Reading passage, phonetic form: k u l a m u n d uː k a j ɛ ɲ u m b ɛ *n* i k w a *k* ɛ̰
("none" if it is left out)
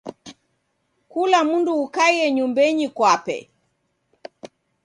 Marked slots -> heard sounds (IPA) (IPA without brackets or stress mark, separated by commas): ɲ, p